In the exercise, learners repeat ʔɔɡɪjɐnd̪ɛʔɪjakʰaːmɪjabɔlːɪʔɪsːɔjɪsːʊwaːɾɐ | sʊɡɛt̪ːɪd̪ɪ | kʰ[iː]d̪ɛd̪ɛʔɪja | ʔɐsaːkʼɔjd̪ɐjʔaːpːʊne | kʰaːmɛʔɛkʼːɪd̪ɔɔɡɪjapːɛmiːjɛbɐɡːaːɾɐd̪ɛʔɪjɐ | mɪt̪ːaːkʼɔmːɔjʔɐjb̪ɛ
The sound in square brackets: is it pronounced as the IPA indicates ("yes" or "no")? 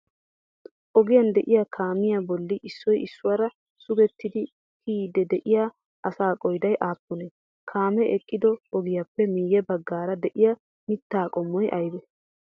yes